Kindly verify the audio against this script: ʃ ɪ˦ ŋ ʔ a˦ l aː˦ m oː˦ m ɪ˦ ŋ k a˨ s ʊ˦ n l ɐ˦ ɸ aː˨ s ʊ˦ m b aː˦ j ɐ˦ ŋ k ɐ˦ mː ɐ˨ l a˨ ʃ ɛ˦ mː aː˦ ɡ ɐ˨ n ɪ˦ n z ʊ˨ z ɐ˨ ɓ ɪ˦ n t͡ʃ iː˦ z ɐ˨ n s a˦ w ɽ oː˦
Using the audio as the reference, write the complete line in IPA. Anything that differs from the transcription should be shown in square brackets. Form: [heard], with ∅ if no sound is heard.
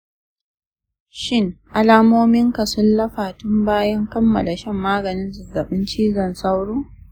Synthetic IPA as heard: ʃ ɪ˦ ŋ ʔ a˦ l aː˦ m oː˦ m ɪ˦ ŋ k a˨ s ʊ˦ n l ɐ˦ ɸ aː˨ [t] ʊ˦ m b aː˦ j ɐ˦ ŋ k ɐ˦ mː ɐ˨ l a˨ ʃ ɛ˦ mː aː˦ ɡ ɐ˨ n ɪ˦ n z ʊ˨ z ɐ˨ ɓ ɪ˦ n t͡ʃ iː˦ z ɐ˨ n s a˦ w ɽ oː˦